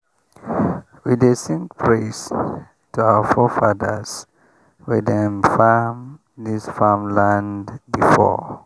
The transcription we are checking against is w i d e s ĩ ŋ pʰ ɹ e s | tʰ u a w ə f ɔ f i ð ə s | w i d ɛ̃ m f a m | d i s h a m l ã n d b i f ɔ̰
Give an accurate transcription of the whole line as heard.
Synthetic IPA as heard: w i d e s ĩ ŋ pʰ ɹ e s | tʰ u a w ə f ɔ f a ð ə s | w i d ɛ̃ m f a m | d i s f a m l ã n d b i f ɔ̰